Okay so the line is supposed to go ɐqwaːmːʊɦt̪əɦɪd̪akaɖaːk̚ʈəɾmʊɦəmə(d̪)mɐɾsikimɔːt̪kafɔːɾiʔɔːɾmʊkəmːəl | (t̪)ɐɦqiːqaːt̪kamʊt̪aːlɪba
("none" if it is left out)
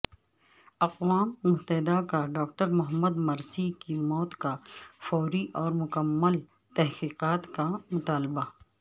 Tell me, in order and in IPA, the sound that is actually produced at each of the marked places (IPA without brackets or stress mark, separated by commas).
d̪, t̪